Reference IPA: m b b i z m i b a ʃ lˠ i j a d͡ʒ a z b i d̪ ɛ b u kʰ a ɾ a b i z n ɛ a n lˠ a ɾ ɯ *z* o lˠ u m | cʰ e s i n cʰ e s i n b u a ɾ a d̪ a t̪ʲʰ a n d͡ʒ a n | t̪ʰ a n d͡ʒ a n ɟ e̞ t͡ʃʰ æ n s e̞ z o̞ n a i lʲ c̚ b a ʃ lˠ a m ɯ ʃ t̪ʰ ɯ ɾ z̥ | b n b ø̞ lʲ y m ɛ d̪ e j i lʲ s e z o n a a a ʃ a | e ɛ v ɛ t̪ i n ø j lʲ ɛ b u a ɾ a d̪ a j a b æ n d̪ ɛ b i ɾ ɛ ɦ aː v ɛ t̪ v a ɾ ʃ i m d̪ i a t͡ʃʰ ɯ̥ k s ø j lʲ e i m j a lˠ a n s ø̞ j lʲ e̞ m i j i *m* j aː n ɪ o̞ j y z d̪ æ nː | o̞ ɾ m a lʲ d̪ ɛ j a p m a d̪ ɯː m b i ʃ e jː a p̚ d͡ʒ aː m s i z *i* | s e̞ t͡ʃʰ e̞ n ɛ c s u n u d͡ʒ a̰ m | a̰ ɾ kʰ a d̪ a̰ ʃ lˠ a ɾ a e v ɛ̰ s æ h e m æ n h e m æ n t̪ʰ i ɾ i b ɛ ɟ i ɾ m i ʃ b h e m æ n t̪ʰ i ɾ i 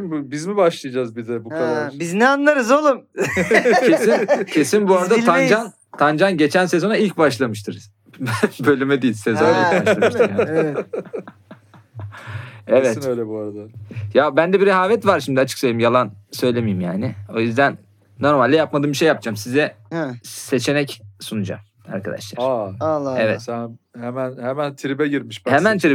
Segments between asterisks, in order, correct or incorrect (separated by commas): correct, correct, incorrect